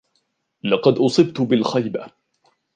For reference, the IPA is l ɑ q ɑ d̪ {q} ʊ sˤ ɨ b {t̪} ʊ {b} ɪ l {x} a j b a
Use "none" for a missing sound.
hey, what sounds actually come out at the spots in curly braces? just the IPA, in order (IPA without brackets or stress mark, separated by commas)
ʔ, t̪, b, x